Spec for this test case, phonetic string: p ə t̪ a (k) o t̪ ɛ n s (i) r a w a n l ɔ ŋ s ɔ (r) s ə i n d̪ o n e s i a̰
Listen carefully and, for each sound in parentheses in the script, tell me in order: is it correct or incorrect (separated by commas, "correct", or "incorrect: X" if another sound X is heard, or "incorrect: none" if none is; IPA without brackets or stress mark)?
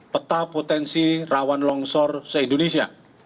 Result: incorrect: p, correct, correct